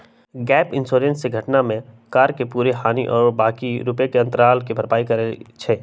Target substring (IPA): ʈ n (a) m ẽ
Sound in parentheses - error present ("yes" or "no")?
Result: no